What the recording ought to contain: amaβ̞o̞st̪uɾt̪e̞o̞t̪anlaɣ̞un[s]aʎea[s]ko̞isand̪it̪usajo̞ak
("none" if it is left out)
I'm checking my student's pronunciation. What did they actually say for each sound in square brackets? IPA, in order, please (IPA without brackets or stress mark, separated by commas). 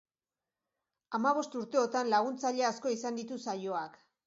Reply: t͡s, s